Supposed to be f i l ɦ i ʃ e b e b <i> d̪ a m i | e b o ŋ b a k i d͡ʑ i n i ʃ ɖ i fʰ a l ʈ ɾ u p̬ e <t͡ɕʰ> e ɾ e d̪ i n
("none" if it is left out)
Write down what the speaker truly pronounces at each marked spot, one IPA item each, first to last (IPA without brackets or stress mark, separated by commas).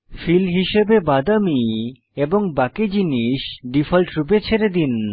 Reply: a, t͡ɕʰ